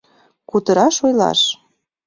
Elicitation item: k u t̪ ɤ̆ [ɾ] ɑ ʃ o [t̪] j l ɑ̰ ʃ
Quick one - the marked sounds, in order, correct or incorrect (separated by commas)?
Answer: correct, incorrect